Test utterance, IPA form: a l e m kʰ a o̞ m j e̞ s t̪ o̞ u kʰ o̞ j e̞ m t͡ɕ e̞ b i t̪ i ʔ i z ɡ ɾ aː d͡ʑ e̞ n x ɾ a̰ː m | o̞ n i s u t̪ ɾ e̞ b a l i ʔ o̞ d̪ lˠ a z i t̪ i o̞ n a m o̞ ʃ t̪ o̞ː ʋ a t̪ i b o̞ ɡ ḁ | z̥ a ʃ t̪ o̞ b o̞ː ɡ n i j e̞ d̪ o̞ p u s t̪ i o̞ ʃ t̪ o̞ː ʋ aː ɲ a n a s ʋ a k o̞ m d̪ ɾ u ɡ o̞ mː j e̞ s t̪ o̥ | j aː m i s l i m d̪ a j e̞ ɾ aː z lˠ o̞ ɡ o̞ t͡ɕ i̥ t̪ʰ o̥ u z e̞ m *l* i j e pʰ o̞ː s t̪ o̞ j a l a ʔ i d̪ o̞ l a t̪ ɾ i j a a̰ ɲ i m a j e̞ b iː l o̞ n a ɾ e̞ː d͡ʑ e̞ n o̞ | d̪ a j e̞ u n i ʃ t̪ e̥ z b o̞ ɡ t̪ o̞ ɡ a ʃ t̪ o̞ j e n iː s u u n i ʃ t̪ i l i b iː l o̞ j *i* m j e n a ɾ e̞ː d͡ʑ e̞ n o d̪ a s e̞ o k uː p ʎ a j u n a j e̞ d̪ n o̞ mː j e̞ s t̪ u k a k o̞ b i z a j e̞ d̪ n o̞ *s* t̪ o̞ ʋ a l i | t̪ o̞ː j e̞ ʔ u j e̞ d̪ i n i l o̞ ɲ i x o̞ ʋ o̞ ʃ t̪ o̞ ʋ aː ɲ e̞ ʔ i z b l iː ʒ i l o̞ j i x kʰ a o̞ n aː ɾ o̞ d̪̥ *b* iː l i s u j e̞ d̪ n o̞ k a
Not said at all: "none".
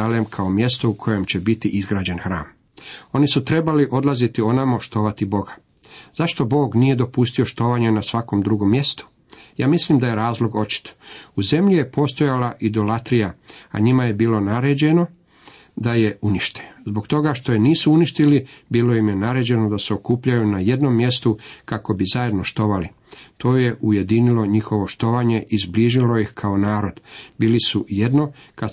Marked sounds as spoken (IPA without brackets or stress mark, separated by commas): ʎ, i, ʃ, b